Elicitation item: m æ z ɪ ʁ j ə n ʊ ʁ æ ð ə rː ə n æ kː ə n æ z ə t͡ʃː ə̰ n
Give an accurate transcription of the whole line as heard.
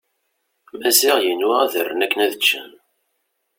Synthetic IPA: m æ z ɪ ʁ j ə n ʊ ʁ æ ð ə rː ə n æ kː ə n æ ð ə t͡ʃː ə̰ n